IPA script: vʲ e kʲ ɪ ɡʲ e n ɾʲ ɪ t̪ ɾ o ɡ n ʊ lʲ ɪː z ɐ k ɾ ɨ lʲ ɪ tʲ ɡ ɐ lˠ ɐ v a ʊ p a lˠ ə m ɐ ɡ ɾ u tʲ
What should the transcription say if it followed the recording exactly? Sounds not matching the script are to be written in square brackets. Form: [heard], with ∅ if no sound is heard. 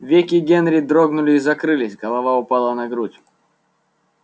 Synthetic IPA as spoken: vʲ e kʲ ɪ ɡʲ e n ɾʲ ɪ [d̪] ɾ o ɡ n ʊ lʲ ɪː z ɐ k ɾ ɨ lʲ ɪ [sʲ] ɡ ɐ lˠ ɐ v a ʊ p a lˠ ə [n] ɐ ɡ ɾ u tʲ